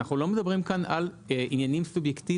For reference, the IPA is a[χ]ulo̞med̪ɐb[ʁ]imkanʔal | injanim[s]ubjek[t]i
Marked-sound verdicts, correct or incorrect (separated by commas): correct, correct, correct, correct